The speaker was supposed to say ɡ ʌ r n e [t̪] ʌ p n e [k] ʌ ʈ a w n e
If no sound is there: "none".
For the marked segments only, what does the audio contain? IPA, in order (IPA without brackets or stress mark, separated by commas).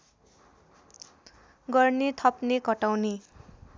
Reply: t̪ʰ, k